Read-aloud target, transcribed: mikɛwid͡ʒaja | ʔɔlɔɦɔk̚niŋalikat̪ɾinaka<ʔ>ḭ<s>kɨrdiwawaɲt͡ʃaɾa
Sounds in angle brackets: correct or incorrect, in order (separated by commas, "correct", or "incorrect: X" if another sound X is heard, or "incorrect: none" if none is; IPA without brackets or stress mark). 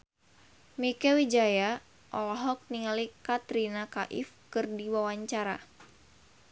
correct, incorrect: f